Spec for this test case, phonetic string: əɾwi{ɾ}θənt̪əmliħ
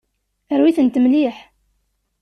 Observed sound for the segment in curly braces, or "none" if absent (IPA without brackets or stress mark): none